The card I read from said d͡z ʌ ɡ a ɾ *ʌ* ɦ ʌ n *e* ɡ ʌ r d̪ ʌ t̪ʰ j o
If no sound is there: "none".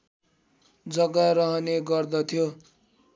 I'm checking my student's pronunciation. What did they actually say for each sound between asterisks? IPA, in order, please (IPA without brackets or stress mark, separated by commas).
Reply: ʌ, e